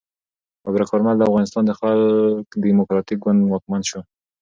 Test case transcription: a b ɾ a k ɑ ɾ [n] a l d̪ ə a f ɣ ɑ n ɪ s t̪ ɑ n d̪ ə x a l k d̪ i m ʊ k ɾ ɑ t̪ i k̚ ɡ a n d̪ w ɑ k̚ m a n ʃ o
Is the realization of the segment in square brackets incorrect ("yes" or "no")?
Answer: yes